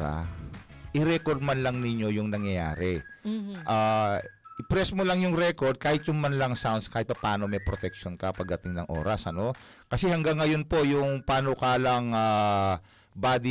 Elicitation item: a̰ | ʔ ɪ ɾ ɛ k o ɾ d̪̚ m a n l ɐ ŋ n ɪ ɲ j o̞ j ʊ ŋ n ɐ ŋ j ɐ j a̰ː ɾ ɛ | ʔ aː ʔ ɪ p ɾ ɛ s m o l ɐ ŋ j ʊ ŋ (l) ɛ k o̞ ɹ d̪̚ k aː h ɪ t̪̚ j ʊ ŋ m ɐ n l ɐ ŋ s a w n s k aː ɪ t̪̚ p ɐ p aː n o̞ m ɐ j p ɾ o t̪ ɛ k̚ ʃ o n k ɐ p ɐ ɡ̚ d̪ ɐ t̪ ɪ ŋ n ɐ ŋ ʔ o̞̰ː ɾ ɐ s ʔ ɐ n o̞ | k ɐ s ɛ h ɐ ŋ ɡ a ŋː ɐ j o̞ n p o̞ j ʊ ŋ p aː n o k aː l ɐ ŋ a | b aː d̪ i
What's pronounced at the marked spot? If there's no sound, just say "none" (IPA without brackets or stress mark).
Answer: ɾ